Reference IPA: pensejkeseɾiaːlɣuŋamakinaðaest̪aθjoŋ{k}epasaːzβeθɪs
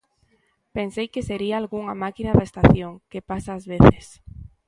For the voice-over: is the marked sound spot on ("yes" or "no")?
yes